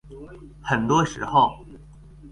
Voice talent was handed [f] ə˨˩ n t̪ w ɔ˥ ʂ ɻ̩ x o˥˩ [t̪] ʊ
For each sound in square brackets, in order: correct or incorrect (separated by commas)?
incorrect, incorrect